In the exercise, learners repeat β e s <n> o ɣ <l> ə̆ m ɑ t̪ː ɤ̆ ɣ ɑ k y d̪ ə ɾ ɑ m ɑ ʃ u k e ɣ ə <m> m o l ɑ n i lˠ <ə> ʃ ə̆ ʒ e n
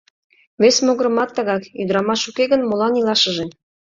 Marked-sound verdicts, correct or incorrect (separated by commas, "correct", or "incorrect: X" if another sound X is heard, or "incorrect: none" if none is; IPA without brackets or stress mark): incorrect: m, incorrect: ɾ, incorrect: n, incorrect: ɑ